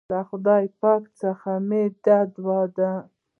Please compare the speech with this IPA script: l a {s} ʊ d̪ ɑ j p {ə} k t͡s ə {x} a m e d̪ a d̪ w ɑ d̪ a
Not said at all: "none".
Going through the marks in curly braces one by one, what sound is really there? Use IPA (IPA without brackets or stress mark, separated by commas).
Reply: x, ɑ, x